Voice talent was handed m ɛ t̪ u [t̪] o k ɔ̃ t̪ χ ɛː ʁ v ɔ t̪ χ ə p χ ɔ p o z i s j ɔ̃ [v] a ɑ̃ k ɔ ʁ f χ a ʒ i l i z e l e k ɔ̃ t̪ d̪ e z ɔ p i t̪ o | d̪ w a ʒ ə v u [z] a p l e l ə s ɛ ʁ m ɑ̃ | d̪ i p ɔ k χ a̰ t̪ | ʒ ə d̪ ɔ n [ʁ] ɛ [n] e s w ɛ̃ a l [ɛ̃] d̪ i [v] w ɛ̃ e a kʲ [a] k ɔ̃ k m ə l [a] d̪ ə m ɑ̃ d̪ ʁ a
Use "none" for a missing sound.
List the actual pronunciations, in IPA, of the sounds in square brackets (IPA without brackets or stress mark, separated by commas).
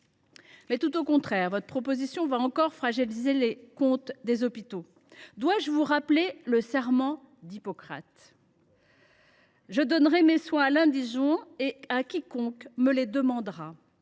t̪, v, ʁ, ʁ, m, ɛ̃, ʒ, i, e